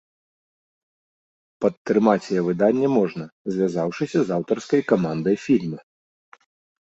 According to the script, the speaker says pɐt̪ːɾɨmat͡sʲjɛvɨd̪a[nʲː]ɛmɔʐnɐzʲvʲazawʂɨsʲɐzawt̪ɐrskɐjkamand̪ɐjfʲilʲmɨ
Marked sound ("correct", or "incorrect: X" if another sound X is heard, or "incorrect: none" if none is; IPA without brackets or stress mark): correct